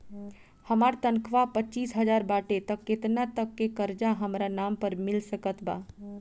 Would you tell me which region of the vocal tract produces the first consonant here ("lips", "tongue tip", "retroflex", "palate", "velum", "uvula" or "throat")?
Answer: throat